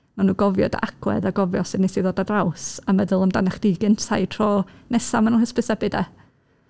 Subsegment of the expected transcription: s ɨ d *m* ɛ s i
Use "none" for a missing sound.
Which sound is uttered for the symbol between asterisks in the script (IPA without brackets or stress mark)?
n